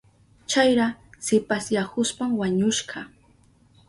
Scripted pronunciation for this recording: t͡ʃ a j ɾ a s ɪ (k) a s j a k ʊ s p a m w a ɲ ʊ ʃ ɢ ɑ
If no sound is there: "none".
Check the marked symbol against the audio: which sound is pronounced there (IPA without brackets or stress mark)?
p